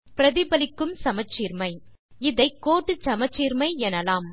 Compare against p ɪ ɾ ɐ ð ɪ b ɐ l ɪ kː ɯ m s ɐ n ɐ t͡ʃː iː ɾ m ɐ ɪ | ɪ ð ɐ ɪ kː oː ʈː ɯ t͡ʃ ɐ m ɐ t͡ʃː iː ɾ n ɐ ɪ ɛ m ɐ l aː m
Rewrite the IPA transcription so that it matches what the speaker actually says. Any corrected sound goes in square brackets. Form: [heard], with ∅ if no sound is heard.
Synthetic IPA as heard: p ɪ ɾ ɐ ð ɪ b ɐ l ɪ kː ɯ m s ɐ [m] ɐ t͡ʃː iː ɾ m ɐ ɪ | ɪ ð ɐ ɪ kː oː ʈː ɯ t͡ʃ ɐ m ɐ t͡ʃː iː ɾ [m] ɐ ɪ ɛ [n] ɐ l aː m